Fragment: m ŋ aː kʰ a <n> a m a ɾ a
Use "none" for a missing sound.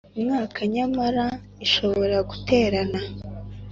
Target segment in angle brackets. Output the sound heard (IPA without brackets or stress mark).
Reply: ɲ